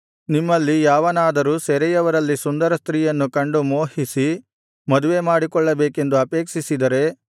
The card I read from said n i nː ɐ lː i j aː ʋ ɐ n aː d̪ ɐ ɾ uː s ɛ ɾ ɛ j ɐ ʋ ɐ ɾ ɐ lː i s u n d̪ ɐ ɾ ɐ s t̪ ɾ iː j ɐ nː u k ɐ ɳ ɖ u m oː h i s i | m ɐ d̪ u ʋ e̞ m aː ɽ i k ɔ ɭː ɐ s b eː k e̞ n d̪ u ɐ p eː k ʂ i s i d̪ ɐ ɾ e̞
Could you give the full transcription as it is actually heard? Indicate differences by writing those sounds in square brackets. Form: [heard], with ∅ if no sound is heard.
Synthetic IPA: n i [mː] ɐ lː i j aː ʋ ɐ n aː d̪ ɐ ɾ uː s ɛ ɾ ɛ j ɐ ʋ ɐ ɾ ɐ lː i s u n d̪ ɐ ɾ ɐ s t̪ ɾ iː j ɐ nː u k ɐ ɳ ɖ u m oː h i s i | m ɐ d̪ u ʋ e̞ m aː ɽ i k ɔ ɭː ɐ [∅] b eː k e̞ n d̪ u ɐ p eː k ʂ i s i d̪ ɐ ɾ e̞